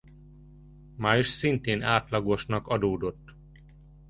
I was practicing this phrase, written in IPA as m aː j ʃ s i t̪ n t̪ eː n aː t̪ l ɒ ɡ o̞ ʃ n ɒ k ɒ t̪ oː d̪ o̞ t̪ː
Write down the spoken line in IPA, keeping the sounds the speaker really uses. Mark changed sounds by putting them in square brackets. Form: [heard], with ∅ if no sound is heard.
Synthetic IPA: m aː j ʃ s i [∅] n t̪ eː n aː t̪ l ɒ ɡ o̞ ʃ n ɒ k ɒ [d̪] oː d̪ o̞ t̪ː